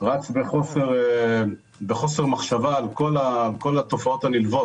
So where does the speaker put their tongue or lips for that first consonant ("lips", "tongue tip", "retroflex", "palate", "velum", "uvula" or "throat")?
uvula